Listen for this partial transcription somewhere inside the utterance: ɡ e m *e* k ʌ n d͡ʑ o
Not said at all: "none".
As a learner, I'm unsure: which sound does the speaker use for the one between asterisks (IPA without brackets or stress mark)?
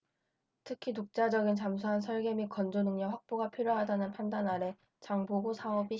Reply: i